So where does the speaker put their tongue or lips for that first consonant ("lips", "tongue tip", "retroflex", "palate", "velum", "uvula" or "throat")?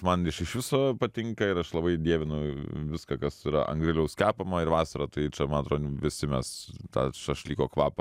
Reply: lips